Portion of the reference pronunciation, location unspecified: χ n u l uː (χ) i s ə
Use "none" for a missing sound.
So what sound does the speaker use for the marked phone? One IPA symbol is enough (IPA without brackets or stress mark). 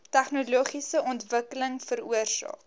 χ